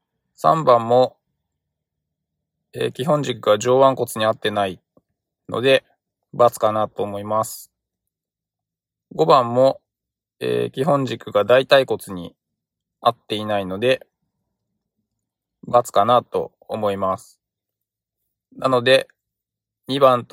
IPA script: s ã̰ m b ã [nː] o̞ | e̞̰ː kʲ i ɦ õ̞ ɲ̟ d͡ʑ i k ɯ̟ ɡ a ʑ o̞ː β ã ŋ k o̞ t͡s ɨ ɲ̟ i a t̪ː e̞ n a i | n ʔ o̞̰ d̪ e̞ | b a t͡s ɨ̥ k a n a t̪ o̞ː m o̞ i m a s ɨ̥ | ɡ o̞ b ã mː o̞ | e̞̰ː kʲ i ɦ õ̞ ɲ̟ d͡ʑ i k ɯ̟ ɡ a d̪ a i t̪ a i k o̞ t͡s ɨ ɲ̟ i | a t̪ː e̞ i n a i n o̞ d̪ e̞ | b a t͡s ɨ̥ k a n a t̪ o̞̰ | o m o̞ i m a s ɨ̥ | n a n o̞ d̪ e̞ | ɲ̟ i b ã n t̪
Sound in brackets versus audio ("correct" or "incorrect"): incorrect